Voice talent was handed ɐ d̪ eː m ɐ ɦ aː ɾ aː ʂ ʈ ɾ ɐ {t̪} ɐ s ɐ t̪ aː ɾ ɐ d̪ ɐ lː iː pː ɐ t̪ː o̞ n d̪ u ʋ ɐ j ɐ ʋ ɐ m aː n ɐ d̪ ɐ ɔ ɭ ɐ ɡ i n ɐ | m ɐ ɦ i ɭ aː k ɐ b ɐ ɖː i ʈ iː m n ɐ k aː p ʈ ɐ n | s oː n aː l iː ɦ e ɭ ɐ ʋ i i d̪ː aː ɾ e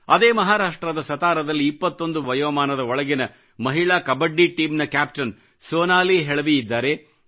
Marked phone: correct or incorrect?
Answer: incorrect